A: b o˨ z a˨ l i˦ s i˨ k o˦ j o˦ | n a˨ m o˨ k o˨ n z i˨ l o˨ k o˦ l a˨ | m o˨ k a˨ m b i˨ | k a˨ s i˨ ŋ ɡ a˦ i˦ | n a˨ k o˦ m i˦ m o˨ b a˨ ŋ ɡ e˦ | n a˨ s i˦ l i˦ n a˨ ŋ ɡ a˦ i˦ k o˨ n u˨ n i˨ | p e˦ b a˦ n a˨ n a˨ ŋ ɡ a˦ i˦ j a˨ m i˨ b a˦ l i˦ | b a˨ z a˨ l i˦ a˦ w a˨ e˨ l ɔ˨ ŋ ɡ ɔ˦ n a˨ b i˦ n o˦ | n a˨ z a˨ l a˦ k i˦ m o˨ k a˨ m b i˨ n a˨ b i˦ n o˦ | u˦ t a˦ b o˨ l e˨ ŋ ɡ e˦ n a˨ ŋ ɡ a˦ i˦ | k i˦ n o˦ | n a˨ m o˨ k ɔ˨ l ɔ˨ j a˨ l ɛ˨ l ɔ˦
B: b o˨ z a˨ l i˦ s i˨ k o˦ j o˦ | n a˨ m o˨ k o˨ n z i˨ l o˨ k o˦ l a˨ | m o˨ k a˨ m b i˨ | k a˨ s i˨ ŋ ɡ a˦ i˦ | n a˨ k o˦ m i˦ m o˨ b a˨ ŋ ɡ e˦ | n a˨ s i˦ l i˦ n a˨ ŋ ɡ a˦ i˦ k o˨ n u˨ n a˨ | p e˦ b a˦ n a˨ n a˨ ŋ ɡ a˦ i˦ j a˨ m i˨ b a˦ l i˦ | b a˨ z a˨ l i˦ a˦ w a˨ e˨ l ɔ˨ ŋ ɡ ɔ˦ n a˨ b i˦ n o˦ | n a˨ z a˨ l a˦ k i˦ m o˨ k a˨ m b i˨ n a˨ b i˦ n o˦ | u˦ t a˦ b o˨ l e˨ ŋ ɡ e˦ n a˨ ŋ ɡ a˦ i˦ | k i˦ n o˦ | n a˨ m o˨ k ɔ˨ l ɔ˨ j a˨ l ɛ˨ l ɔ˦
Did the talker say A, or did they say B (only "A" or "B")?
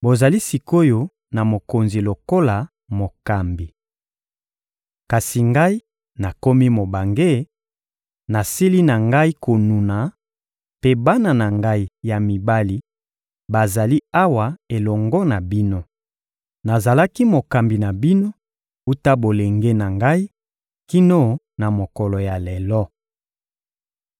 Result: B